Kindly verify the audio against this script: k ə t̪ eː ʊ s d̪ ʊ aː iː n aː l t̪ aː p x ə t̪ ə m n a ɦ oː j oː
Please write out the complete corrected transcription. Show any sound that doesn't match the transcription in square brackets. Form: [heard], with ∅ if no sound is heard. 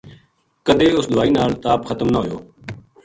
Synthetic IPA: k ə [d̪] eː ʊ s d̪ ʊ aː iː n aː l t̪ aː p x ə t̪ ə m n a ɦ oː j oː